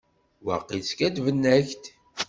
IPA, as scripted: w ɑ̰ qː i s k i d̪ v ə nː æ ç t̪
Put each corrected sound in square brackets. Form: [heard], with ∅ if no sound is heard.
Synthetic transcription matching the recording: w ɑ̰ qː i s k [æ] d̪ v ə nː æ ç t̪